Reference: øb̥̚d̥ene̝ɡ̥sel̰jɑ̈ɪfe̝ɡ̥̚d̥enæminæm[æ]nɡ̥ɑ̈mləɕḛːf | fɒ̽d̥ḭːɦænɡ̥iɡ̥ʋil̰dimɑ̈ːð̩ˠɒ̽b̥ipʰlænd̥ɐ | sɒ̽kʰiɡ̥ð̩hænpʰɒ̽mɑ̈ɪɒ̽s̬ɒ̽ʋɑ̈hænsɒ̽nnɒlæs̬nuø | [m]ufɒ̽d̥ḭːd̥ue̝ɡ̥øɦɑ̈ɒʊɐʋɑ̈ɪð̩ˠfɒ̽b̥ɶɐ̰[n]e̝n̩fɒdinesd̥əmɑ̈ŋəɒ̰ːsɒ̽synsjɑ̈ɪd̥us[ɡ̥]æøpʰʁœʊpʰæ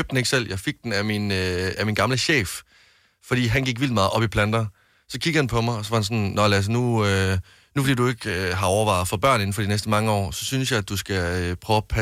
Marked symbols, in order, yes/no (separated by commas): no, no, yes, yes